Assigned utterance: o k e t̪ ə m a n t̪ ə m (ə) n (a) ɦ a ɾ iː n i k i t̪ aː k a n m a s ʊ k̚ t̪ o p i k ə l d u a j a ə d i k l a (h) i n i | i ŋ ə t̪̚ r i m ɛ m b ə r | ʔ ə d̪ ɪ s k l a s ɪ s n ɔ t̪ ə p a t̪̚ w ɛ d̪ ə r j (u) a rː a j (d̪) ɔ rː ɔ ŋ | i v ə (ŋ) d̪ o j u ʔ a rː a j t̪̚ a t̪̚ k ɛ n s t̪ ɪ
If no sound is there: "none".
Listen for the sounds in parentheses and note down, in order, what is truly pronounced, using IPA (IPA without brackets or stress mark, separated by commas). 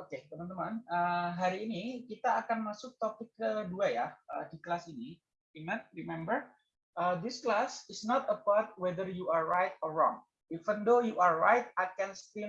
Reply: a, ə, s, u, t̪, n